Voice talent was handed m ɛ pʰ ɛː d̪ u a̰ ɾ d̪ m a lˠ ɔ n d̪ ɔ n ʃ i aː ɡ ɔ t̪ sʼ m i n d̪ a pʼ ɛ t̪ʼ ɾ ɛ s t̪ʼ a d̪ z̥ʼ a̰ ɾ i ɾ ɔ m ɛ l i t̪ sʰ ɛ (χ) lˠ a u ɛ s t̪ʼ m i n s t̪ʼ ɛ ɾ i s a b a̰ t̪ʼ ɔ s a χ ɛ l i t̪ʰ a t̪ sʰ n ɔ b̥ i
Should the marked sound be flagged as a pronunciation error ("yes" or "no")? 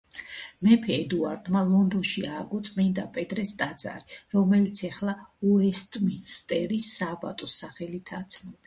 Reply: no